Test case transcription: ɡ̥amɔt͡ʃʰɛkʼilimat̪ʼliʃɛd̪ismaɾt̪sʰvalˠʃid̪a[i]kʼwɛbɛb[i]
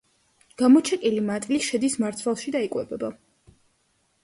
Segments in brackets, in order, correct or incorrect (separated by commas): correct, incorrect